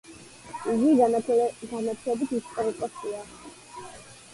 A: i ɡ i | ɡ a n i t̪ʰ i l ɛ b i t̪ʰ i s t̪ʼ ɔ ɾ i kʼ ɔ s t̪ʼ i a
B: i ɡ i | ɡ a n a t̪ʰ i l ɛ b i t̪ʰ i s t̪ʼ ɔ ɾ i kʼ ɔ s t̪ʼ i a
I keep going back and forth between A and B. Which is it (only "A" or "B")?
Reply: B